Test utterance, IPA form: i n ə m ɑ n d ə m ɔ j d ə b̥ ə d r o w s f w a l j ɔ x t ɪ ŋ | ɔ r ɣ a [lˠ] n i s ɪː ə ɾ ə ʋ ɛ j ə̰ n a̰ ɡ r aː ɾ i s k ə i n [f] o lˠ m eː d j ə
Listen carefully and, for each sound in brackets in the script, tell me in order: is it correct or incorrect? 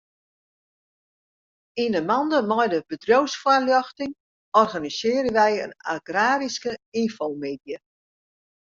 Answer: incorrect, correct

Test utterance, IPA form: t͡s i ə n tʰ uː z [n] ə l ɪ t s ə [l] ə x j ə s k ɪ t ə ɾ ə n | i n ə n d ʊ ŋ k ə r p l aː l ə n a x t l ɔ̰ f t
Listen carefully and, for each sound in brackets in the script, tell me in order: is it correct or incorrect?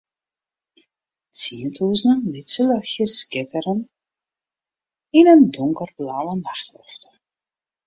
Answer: correct, correct

